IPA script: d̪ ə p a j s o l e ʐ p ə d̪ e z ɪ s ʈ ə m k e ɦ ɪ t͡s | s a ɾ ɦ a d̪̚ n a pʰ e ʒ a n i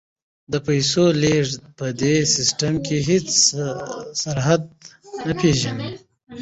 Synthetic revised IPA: d̪ ə p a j s o l e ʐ p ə d̪ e s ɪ s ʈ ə m k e ɦ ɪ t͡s | s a ɾ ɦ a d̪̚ n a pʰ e ʒ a n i